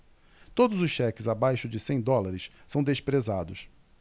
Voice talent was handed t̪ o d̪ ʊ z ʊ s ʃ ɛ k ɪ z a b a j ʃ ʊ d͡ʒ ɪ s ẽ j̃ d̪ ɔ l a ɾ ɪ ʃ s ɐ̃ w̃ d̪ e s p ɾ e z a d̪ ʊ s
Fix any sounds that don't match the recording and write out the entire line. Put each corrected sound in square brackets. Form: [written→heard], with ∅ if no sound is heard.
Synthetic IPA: t̪ o d̪ ʊ z ʊ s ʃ ɛ k ɪ z a b a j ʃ ʊ d͡ʒ ɪ s ẽ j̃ d̪ ɔ l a ɾ ɪ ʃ s ɐ̃ w̃ d̪ e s p ɾ e z a d̪ ʊ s

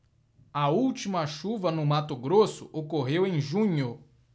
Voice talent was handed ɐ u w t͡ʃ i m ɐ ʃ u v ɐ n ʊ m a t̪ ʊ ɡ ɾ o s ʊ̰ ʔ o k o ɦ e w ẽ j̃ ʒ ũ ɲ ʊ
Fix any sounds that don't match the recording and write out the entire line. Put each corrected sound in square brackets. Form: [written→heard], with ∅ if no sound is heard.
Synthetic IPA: ɐ u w t͡ʃ i m ɐ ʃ u v ɐ n ʊ m a t̪ ʊ ɡ ɾ o s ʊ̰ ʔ o k o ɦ e w ẽ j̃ ʒ ũ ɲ ʊ

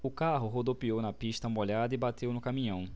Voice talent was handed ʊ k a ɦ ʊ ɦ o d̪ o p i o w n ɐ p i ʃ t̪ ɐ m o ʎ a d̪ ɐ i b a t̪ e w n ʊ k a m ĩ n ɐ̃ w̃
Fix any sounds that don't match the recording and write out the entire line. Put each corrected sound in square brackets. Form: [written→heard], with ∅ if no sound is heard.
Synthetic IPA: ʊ k a ɦ ʊ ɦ o d̪ o p i o w n ɐ p i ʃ t̪ ɐ m o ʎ a d̪ ɐ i b a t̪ e w n ʊ k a m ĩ [n→ɲ] ɐ̃ w̃

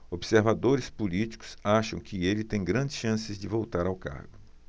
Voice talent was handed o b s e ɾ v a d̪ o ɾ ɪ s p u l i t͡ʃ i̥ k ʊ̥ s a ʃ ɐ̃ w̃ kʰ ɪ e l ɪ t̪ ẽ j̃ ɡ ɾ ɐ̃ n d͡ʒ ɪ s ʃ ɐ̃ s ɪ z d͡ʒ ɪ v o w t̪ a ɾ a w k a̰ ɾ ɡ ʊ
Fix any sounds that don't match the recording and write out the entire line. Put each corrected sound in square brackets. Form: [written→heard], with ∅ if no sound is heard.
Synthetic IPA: o b s e ɾ v a d̪ o ɾ ɪ s p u l i t͡ʃ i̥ k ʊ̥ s a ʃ ɐ̃ w̃ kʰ ɪ e l ɪ t̪ ẽ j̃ ɡ ɾ ɐ̃ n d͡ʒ ɪ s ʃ ɐ̃ s ɪ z d͡ʒ ɪ v o w t̪ a ɾ a w k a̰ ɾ ɡ ʊ

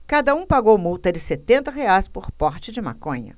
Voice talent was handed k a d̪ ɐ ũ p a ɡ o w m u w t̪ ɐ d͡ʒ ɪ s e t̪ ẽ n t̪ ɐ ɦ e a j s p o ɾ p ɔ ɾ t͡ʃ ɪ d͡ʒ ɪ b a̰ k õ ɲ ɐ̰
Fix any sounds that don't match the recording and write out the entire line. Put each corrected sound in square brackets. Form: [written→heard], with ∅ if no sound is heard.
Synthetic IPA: k a d̪ ɐ ũ p a ɡ o w m u w t̪ ɐ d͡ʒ ɪ s e t̪ ẽ n t̪ ɐ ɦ e a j s p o ɾ p ɔ ɾ t͡ʃ ɪ d͡ʒ ɪ [b→m] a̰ k õ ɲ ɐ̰

